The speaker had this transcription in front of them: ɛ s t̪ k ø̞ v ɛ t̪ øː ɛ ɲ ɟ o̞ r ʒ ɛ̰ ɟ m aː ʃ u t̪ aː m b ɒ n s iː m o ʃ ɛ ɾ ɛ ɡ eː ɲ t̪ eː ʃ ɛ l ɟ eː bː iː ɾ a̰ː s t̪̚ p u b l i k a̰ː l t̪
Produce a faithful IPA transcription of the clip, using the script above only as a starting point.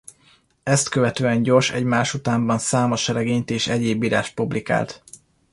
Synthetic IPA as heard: ɛ s t̪ k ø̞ v ɛ t̪ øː ɛ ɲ ɟ o̞ r ʃ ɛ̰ ɟ m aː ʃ u t̪ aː m b ɒ n s aː m o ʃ ɛ ɾ ɛ ɡ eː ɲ t̪ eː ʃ ɛ ɟ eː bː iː ɾ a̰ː ʃ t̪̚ p u b l i k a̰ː l t̪